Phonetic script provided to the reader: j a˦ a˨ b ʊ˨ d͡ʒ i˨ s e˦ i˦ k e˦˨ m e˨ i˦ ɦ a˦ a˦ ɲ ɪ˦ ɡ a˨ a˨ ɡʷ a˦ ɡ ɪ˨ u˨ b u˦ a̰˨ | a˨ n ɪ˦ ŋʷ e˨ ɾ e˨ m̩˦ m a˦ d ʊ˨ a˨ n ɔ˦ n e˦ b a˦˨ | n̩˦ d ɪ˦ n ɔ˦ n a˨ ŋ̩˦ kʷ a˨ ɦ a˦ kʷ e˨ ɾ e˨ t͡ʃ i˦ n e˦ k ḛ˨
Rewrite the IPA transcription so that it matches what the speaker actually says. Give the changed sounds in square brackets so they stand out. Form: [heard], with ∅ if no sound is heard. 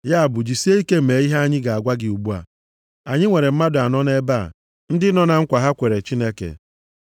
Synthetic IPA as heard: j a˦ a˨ b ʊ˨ d͡ʒ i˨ s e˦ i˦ k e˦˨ m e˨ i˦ ɦ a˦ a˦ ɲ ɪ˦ ɡ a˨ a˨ ɡʷ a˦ ɡ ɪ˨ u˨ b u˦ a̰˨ | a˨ [ɲ] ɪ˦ ŋʷ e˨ ɾ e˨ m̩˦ m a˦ d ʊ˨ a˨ n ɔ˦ n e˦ b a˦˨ | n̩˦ d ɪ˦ n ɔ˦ n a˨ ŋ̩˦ kʷ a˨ ɦ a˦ kʷ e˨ ɾ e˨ t͡ʃ i˦ n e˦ k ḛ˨